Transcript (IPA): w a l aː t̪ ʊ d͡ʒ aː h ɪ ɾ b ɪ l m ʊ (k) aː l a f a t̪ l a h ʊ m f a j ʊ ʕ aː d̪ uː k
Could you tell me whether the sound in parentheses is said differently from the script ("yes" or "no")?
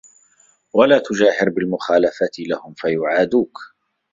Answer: yes